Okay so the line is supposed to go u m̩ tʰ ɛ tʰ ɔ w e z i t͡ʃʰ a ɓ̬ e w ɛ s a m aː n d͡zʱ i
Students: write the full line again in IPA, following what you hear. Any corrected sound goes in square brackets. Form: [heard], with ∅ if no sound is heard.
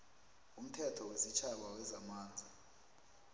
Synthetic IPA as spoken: u m̩ tʰ ɛ tʰ ɔ w e z i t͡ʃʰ a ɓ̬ [a] w ɛ [z] a m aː n d͡zʱ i

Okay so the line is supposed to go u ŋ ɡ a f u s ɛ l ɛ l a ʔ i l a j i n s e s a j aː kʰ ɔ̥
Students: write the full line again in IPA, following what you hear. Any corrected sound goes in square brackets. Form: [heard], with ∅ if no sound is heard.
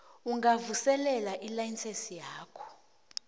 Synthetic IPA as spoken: u ŋ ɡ a [v] u s ɛ l ɛ l a ʔ i l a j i n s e s [i] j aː kʰ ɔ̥

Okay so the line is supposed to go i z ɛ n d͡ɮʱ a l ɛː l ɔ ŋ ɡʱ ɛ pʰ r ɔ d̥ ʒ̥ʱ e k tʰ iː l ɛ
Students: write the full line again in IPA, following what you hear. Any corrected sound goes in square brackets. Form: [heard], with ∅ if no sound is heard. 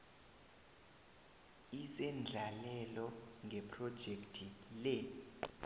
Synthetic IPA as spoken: i [s] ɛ n d͡ɮʱ a l [ɛ] l ɔ ŋ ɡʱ ɛ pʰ r ɔ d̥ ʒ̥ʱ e k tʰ [i] l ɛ

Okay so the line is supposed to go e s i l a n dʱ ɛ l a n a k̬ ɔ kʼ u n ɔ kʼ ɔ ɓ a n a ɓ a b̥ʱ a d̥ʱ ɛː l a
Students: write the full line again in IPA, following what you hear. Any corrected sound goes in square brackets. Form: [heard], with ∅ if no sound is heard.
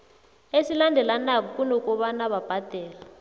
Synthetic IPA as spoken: e s i l a n dʱ ɛ l a n a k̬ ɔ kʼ u n ɔ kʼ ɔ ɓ a n a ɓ a b̥ʱ a d̥ʱ ɛː l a

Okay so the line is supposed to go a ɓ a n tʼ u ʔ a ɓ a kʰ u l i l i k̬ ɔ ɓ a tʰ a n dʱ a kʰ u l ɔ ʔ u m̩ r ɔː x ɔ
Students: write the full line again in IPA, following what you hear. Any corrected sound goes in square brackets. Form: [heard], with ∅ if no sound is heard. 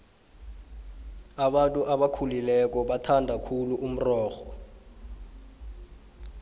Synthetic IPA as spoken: a ɓ a n tʼ u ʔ a ɓ a kʰ u l i l [ɛ] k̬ ɔ ɓ a tʰ a n dʱ a kʰ u l [u] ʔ u m̩ r ɔː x ɔ

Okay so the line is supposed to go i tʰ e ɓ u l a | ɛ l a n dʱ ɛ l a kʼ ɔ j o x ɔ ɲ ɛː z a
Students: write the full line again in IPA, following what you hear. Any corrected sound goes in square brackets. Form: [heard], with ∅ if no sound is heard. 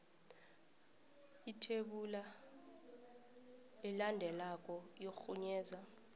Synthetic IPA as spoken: i tʰ e ɓ u l a | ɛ l a n dʱ ɛ l a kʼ ɔ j o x [u] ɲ ɛː z a

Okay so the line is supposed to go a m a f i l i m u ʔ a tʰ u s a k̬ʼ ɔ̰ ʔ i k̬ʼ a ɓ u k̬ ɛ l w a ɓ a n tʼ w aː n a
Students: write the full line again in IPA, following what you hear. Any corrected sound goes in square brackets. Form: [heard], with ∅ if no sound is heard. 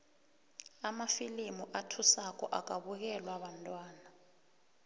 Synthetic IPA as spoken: a m a f i l i m u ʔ a tʰ u s a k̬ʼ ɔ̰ ʔ [a] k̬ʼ a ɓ u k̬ ɛ l w a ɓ a n tʼ w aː n a

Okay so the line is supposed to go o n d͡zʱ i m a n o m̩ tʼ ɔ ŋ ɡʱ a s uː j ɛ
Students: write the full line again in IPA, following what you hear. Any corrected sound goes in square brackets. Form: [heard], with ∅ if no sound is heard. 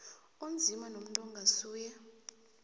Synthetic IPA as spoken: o n d͡zʱ i m a n o m̩ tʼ ɔ ŋ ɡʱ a s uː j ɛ

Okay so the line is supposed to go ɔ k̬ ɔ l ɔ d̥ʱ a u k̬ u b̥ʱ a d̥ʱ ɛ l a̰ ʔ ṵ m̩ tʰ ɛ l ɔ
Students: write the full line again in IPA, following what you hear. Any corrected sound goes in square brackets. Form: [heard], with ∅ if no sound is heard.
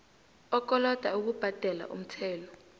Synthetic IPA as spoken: ɔ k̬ ɔ l ɔ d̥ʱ a u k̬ u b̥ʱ a d̥ʱ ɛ l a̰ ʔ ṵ m̩ tʰ [ɛː] l ɔ

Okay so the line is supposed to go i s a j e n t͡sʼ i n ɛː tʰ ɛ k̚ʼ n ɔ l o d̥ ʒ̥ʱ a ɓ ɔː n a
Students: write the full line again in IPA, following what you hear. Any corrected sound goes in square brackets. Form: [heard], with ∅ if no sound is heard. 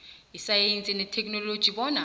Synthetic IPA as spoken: i s a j e n t͡sʼ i n [ɛ] tʰ ɛ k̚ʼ n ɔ l o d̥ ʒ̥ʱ [i] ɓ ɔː n a

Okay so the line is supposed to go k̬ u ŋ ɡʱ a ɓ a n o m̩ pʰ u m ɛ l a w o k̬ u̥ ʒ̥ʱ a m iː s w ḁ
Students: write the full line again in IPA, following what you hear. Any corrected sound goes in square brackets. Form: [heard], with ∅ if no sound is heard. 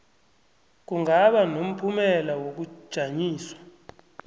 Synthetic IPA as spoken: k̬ u ŋ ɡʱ a ɓ a n o m̩ pʰ u m ɛ l a w o k̬ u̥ ʒ̥ʱ a [ɲ] iː s w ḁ

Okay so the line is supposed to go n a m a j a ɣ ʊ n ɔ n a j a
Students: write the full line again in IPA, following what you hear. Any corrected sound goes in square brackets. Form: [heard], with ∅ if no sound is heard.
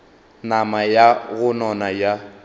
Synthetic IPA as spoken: n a m a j a ɣ ʊ n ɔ n a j a

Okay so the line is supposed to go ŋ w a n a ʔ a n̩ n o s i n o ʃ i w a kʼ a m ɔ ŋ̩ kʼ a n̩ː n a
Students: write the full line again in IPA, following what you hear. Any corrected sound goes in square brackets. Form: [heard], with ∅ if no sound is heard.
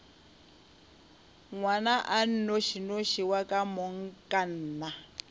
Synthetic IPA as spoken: ŋ w a n a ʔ a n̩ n o [ʃ] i n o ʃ i w a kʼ a m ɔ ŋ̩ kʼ a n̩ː n a

